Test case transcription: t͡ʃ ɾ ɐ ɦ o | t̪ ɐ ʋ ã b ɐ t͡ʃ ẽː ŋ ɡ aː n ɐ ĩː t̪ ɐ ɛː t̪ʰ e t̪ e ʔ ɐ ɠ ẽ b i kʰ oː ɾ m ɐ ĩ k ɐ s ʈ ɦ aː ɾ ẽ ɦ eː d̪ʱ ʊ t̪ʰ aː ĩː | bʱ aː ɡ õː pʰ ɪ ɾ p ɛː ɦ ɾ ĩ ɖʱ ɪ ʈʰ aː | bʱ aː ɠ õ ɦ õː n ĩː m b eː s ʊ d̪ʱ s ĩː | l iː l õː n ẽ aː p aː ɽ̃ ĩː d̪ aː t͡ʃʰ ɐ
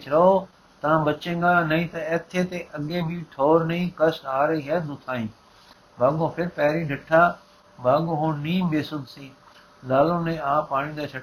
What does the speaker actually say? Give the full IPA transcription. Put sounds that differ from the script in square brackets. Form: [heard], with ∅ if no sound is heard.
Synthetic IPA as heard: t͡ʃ ɾ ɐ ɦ o | t̪ ɐ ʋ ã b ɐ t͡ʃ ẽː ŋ ɡ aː n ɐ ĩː t̪ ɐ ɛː t̪ʰ e t̪ e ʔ ɐ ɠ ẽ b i [ʈʰ] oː ɾ [n] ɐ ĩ k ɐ s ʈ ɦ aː ɾ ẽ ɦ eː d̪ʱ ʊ t̪ʰ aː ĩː | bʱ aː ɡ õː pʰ ɪ ɾ p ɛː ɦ ɾ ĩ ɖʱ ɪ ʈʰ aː | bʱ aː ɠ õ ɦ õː n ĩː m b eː s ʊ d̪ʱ s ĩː | l [aː] l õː n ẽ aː p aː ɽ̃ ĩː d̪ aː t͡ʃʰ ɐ